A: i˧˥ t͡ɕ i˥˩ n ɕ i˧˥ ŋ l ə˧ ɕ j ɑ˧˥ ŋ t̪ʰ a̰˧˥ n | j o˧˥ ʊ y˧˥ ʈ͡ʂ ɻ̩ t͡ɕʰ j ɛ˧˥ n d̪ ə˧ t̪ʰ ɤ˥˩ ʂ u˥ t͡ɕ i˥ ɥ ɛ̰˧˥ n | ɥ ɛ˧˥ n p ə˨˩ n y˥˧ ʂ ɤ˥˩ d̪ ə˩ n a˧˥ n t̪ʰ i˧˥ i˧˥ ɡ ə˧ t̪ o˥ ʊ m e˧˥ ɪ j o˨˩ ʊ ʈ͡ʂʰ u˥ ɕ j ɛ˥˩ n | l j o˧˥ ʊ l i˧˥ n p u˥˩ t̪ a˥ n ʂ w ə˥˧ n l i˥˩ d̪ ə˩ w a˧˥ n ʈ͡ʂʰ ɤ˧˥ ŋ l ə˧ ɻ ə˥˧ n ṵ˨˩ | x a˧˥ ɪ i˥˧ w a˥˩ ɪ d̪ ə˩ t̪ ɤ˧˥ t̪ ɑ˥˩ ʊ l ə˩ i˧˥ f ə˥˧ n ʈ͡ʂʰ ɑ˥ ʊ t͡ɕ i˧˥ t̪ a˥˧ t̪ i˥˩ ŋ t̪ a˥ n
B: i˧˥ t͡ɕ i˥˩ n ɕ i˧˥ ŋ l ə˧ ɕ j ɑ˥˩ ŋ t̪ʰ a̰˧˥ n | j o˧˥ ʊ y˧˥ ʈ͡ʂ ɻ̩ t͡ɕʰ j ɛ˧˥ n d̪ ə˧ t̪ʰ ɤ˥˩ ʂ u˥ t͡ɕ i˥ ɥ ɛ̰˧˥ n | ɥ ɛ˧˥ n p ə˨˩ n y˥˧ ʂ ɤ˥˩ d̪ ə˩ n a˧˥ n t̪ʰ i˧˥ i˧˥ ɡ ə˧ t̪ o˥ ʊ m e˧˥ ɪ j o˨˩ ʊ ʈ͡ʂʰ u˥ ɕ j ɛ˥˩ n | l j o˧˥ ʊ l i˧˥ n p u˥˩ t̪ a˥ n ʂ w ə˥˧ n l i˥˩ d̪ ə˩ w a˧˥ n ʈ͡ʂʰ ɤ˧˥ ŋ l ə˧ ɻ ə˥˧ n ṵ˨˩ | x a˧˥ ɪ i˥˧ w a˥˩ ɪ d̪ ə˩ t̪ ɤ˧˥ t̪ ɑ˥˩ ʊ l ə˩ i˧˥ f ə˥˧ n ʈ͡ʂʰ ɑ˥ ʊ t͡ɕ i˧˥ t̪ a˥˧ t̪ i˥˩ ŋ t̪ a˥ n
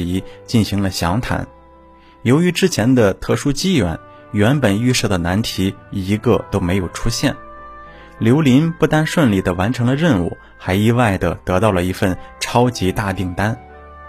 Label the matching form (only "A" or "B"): A